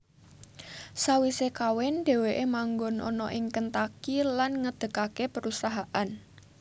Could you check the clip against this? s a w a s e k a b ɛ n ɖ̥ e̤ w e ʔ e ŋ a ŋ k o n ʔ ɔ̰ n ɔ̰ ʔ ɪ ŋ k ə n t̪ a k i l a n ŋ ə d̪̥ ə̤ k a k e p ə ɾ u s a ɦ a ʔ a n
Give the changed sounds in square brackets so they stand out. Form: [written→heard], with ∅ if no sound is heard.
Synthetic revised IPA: s a w [a→i] s e k a [b→w] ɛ n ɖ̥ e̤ w e ʔ e [ŋ→m] a ŋ [k→ɡ] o n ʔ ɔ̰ n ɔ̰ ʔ ɪ ŋ k ə n t̪ a k i l a n ŋ ə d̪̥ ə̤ k a k e p ə ɾ u s a ɦ a ʔ a n